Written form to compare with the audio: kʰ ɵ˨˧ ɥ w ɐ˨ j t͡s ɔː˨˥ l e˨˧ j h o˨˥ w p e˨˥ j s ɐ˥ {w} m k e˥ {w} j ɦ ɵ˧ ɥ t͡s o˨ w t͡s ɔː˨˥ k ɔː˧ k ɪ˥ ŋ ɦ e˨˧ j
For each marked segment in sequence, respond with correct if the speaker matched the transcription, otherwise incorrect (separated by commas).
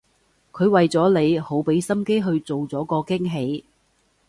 incorrect, incorrect